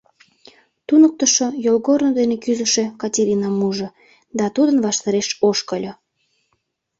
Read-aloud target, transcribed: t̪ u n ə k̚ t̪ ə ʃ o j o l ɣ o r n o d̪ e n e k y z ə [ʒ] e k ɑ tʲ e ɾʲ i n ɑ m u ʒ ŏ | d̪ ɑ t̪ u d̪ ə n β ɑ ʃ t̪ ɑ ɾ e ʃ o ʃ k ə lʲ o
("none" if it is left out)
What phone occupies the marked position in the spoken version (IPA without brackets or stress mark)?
ʃ